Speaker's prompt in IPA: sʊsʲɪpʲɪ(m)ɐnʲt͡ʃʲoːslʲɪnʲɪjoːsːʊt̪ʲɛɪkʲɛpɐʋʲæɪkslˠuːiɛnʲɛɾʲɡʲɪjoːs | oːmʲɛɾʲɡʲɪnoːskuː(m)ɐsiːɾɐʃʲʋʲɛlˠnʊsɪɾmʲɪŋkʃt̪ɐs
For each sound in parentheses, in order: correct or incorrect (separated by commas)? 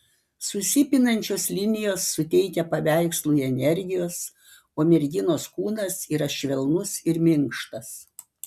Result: incorrect, incorrect